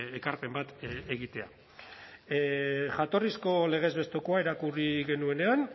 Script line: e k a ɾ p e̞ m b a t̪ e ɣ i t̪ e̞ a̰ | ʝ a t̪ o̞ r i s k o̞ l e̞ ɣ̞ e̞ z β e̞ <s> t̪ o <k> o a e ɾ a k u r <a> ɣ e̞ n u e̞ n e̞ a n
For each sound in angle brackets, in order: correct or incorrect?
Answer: correct, correct, incorrect

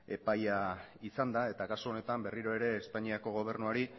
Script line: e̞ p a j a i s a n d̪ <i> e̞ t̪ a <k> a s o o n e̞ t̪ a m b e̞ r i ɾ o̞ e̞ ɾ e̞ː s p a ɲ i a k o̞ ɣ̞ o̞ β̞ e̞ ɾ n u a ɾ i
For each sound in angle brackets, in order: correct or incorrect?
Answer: incorrect, correct

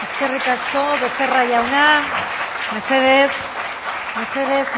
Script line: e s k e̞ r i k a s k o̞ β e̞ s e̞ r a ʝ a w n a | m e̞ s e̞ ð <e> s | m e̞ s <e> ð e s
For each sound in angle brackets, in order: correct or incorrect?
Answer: correct, correct

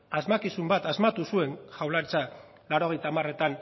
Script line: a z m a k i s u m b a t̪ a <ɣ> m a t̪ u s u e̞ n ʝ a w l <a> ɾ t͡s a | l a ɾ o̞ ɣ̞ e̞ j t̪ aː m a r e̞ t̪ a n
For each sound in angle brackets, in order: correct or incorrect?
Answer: incorrect, correct

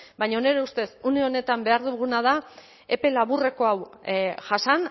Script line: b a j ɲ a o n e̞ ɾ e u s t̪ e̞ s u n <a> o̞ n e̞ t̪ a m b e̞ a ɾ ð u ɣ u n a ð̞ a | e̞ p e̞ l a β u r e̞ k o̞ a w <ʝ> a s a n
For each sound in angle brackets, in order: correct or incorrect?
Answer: incorrect, correct

